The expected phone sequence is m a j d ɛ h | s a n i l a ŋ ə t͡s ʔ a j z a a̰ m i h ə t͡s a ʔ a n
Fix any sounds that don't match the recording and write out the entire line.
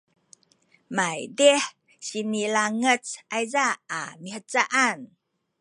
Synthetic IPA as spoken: m a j d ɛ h | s i n i l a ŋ ə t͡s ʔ a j z a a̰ m i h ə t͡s a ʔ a n